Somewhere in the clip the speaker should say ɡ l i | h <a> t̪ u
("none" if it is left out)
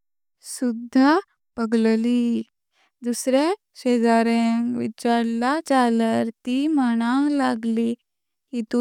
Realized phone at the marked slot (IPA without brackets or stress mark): i